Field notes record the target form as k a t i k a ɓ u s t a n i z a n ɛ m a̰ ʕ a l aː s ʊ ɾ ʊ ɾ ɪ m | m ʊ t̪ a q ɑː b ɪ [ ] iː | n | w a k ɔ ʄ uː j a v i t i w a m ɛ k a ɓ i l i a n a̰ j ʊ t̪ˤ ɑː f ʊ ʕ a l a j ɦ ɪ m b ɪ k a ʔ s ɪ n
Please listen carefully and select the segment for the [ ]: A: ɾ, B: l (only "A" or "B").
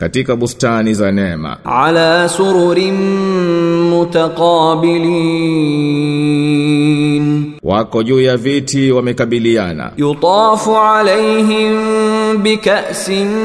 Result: B